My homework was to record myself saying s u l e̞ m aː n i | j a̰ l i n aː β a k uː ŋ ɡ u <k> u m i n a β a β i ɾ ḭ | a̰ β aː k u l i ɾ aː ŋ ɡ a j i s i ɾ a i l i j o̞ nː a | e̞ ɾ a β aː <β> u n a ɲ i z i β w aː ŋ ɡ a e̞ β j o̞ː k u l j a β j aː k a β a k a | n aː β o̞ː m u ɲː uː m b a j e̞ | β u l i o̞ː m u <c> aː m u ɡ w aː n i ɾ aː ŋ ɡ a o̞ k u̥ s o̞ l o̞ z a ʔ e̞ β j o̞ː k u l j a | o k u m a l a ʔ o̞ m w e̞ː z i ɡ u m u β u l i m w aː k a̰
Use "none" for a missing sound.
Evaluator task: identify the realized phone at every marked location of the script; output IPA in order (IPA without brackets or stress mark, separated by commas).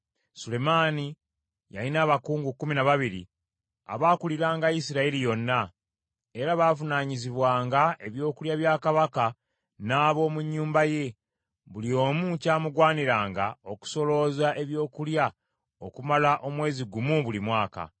k, v, c